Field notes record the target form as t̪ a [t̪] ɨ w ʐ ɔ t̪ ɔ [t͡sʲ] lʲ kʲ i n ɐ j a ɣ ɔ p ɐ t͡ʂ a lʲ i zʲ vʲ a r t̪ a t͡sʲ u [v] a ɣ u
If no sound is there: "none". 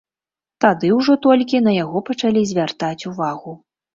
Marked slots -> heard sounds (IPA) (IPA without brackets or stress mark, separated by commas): d̪, none, v